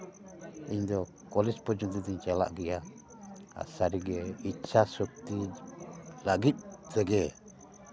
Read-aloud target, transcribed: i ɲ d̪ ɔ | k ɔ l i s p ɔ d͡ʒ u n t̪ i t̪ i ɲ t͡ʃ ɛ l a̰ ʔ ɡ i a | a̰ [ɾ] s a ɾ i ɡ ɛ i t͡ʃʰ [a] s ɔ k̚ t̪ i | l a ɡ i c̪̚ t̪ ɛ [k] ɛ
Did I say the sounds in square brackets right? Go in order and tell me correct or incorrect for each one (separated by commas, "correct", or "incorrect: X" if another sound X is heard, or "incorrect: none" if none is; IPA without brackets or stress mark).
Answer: incorrect: none, correct, incorrect: ɡ